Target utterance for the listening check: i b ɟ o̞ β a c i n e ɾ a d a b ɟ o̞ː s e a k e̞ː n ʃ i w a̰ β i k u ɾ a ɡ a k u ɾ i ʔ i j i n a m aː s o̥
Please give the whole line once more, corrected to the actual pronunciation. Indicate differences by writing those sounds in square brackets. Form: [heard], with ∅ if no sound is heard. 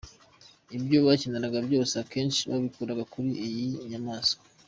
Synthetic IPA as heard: i b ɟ o̞ β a c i n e ɾ a [ɡ] a b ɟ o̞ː s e a k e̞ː n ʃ i [β] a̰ β i k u ɾ a ɡ a k u ɾ i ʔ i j i [ɲ] a m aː s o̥